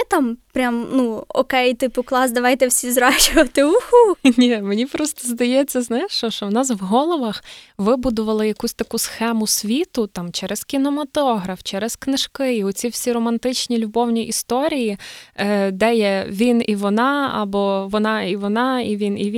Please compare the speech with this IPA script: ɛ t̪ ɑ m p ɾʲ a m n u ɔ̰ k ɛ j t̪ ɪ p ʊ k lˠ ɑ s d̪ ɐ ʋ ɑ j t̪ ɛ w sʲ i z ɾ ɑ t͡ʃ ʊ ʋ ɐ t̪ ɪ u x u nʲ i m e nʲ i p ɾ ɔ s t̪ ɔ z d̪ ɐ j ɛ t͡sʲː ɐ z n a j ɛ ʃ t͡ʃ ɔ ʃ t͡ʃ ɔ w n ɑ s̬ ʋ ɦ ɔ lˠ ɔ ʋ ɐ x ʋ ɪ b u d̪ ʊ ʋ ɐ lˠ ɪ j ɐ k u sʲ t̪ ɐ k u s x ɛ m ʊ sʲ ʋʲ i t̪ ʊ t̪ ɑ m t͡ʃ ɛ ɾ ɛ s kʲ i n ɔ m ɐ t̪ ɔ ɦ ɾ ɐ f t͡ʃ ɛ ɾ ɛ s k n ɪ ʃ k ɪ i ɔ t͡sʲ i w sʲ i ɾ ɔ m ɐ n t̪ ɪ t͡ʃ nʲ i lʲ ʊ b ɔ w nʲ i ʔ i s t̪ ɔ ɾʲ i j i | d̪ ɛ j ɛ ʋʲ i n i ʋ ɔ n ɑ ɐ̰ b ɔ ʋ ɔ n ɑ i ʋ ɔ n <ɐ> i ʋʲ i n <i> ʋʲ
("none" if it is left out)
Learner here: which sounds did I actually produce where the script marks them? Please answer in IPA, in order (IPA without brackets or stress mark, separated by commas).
ɑ, i